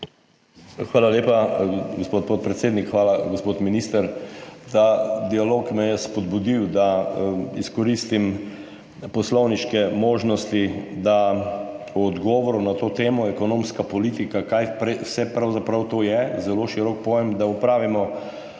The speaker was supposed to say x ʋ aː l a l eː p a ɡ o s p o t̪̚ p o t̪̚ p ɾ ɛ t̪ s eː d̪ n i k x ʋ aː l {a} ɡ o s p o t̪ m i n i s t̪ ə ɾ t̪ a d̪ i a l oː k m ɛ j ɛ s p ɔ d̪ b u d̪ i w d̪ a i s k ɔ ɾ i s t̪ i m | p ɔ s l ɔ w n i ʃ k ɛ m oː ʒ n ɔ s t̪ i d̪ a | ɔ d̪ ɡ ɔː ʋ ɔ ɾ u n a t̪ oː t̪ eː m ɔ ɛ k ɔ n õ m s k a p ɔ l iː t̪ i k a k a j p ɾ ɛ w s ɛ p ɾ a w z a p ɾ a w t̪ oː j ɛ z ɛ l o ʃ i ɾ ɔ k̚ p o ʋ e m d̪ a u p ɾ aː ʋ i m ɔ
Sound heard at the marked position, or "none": a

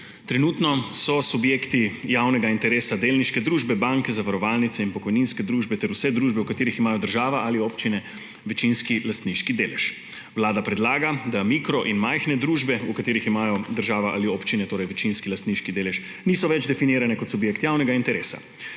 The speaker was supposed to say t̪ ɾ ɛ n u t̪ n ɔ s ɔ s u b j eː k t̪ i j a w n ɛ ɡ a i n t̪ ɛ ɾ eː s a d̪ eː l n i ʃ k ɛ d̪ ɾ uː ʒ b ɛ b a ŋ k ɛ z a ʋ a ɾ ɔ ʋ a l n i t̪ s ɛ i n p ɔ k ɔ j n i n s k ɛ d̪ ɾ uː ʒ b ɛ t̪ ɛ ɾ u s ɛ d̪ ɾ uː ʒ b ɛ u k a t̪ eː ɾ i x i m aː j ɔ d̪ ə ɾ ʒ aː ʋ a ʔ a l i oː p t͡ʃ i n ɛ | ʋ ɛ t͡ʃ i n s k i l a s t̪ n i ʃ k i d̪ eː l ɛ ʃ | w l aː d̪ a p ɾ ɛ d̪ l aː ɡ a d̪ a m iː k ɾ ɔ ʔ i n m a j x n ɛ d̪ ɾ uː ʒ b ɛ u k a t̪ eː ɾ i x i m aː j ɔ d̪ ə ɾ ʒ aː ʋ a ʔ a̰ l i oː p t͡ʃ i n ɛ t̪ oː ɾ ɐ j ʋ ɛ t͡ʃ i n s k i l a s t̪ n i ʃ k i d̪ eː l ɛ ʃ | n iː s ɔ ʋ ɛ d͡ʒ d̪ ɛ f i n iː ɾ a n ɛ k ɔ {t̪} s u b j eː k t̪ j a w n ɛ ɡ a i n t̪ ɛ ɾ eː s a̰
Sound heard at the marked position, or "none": t̪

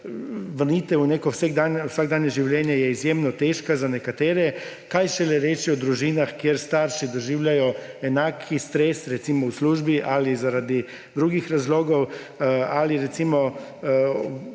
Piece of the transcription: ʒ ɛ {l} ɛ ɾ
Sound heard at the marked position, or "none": l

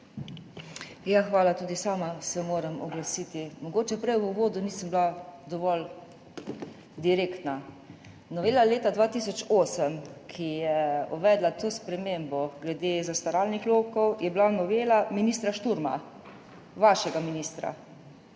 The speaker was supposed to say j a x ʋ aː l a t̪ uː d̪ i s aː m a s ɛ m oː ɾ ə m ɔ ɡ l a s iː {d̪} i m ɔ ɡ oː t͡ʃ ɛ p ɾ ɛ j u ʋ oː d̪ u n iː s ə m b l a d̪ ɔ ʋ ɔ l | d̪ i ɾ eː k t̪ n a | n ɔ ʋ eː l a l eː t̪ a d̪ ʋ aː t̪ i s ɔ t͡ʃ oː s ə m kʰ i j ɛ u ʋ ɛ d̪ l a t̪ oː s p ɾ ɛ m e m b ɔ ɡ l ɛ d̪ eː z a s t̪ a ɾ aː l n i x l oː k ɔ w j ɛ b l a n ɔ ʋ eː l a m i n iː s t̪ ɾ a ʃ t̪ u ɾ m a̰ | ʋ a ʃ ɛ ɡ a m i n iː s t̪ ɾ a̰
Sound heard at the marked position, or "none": t̪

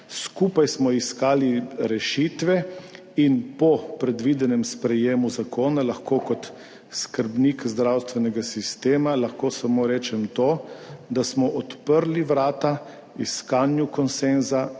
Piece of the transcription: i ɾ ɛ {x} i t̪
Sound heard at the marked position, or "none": ʃ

